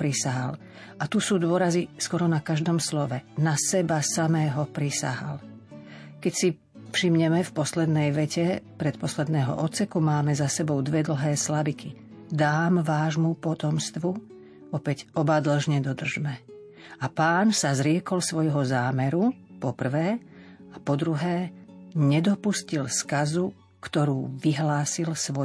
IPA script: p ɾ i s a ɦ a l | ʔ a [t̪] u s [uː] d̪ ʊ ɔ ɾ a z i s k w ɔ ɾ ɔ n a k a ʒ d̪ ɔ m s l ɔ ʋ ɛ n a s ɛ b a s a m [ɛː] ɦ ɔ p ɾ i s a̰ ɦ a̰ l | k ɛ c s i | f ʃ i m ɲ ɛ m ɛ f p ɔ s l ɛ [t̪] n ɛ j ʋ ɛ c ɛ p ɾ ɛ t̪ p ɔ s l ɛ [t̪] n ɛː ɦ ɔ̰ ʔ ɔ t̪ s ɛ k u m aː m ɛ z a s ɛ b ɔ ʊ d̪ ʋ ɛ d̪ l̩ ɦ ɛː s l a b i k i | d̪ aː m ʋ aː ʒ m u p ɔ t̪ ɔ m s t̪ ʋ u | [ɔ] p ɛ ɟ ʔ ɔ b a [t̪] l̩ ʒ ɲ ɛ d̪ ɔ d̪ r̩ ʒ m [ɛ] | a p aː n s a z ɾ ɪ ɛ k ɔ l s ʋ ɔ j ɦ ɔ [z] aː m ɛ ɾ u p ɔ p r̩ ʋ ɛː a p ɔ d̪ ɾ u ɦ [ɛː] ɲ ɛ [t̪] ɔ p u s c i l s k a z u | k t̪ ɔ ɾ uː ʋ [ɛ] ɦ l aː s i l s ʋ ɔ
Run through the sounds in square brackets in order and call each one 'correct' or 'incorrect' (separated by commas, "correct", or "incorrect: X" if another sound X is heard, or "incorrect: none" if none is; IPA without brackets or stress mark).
correct, correct, correct, incorrect: d̪, incorrect: d̪, correct, incorrect: d̪, correct, correct, correct, incorrect: d̪, incorrect: i